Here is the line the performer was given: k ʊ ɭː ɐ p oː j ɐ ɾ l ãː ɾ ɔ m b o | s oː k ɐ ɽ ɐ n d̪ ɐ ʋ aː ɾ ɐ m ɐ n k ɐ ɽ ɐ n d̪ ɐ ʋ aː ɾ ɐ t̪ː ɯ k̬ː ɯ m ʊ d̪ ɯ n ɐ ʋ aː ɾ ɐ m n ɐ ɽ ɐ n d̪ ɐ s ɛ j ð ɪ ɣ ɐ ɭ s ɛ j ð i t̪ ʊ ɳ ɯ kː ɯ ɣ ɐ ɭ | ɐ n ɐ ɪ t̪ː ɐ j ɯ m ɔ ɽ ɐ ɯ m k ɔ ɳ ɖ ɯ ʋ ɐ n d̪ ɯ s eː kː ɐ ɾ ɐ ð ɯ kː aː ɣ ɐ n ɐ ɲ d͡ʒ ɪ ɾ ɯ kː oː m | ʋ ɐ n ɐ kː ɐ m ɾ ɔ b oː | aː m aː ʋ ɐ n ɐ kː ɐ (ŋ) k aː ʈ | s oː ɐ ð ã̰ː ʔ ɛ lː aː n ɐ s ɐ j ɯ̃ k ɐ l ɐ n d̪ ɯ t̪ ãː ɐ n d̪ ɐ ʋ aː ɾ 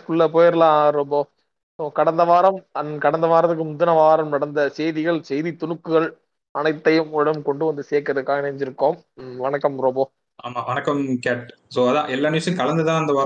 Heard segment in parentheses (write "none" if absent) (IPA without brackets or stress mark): m